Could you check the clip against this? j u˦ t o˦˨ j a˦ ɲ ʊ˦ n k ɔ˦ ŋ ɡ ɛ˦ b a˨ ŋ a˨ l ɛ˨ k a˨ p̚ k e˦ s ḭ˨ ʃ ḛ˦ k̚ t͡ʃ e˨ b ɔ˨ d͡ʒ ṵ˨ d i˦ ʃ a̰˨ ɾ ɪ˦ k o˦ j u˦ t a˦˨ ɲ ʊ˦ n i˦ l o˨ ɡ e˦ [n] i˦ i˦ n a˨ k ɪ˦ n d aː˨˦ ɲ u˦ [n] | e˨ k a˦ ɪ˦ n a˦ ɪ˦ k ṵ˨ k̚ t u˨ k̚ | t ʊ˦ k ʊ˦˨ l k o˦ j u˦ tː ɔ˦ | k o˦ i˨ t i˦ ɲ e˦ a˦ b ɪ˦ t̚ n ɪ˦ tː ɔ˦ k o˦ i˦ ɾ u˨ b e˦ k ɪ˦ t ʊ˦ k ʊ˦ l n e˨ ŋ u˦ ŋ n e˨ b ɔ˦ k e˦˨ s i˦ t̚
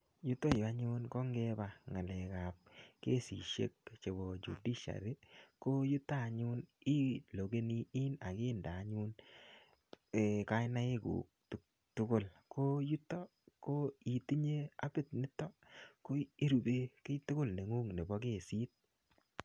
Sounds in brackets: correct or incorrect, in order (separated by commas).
correct, correct